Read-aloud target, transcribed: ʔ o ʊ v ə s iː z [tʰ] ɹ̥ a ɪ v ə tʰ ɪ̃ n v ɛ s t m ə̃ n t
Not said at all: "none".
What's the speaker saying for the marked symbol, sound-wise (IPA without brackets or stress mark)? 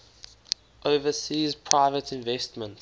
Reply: pʰ